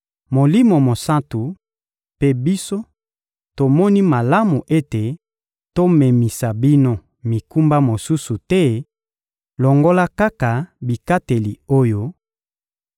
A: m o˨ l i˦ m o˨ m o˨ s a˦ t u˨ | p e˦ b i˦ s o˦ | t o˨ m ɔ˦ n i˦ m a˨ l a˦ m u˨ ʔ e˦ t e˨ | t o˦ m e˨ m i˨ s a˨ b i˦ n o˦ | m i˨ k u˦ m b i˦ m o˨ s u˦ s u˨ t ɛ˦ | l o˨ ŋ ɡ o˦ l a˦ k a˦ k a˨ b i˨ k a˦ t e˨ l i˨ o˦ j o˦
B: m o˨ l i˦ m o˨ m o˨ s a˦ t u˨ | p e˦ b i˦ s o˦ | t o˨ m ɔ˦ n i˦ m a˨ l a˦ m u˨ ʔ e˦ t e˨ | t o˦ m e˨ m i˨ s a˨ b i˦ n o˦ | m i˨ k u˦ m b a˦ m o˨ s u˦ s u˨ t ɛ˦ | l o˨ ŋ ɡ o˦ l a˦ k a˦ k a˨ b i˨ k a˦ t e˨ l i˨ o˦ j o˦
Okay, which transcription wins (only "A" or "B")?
B